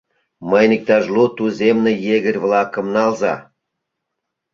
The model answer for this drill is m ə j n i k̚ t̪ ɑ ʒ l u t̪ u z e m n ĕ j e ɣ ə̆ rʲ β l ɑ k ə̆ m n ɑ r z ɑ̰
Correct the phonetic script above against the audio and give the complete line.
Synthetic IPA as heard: m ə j n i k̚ t̪ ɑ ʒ l u t̪ u z e m n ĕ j e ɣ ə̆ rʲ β l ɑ k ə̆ m n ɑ l z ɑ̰